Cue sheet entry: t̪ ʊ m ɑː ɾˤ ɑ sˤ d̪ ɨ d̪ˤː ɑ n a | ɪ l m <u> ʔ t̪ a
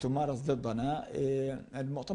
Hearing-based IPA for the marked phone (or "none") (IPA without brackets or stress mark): ʊ